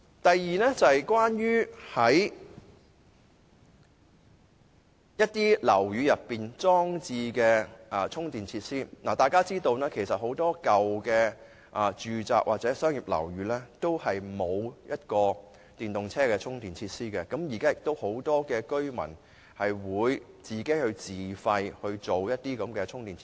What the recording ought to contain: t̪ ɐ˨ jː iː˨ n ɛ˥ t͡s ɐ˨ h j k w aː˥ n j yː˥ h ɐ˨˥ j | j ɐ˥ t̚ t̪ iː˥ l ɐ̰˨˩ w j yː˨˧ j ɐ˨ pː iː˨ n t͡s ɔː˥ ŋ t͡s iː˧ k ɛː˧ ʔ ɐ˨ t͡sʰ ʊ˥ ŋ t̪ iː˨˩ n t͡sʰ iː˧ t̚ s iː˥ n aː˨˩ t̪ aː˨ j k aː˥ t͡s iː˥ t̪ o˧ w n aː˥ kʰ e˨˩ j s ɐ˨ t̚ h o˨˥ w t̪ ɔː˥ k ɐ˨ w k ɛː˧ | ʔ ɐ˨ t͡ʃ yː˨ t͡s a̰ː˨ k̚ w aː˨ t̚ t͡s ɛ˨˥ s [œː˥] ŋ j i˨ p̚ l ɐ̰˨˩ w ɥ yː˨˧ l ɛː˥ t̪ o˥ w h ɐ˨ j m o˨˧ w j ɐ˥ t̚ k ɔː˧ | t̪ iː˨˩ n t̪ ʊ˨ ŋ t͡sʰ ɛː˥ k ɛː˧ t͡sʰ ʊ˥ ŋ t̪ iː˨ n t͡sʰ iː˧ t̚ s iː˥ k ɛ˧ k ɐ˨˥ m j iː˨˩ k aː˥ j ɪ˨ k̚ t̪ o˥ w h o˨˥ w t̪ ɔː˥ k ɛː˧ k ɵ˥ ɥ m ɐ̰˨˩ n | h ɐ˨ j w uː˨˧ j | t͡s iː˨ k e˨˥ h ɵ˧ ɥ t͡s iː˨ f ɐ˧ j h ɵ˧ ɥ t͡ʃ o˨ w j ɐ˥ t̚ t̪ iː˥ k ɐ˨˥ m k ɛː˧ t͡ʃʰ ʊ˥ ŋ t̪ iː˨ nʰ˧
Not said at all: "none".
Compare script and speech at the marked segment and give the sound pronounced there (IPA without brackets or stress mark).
œː˥